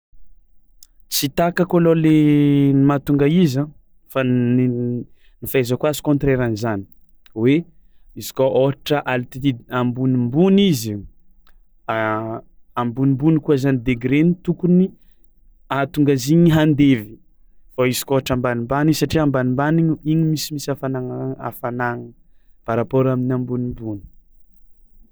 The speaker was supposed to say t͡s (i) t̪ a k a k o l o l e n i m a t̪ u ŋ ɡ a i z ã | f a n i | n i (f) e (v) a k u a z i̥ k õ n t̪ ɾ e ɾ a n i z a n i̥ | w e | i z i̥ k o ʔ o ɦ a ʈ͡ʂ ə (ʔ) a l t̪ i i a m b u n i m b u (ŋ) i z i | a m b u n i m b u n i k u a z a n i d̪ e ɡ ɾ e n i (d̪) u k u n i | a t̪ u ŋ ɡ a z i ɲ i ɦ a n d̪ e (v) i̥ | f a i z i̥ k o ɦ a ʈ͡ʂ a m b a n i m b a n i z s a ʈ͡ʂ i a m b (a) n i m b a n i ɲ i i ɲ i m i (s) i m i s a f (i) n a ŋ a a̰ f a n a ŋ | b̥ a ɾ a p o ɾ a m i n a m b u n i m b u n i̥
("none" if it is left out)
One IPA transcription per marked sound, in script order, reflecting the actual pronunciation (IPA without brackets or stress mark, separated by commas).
i, f, z, ʔ, n, t̪, v, a, s, a